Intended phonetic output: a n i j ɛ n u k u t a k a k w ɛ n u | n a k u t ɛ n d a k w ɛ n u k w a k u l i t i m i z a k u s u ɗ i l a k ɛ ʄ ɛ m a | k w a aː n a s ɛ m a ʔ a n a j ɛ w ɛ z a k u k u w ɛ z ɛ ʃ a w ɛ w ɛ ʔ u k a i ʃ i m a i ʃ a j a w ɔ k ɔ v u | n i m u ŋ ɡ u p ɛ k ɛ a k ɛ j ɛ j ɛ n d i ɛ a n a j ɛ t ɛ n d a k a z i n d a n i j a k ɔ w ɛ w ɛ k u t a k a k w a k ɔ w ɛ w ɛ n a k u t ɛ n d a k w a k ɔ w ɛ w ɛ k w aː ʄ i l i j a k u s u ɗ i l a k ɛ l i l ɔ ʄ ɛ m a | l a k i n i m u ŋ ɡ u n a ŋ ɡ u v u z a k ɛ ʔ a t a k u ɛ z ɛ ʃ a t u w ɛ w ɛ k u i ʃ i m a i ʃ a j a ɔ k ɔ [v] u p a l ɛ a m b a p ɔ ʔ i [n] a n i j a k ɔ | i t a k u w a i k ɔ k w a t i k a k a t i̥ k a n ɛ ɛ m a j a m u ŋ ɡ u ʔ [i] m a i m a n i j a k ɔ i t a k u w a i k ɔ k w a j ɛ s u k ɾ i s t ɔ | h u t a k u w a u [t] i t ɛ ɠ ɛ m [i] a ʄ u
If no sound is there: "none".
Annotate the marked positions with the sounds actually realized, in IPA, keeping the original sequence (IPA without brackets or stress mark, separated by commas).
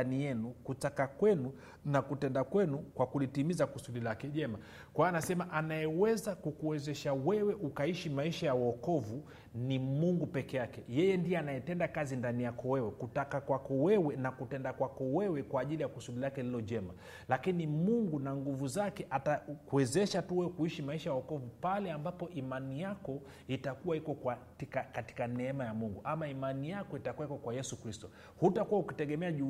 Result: v, m, a, k, ɛ